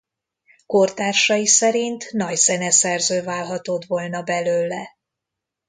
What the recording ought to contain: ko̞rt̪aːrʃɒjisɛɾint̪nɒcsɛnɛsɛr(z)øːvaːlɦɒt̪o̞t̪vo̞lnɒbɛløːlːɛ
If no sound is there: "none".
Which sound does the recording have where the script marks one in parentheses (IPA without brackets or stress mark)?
z